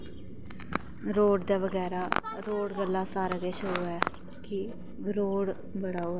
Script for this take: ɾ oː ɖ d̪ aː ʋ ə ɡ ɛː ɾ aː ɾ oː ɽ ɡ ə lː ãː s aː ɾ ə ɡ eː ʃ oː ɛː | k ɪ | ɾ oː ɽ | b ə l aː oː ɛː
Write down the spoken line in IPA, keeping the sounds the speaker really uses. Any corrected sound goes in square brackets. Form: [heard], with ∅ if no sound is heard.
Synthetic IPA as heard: ɾ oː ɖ d̪ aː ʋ ə ɡ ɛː ɾ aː ɾ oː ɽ ɡ ə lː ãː s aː ɾ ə ɡ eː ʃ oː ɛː | k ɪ | ɾ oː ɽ | b ə [ɽ] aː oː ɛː